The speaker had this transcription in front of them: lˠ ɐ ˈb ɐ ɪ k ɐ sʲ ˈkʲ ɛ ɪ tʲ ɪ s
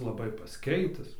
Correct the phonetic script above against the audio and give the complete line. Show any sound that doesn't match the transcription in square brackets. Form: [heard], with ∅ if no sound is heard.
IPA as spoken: lˠ ɐ ˈb ɐ ɪ [p] ɐ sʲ ˈkʲ ɛ ɪ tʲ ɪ s